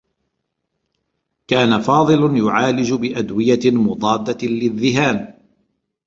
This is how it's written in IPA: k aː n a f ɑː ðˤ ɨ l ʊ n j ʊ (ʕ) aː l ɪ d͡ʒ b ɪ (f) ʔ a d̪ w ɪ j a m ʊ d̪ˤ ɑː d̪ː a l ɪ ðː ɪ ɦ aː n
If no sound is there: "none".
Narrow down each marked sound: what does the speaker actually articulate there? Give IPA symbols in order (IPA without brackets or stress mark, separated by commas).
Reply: ʕ, none